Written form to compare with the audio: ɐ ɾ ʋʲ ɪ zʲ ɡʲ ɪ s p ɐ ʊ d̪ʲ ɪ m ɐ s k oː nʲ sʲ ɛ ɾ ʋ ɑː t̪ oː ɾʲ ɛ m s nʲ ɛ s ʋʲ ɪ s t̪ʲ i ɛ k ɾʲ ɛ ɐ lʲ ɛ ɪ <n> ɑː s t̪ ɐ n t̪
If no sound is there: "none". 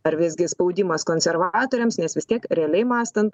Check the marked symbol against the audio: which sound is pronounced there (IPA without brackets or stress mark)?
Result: m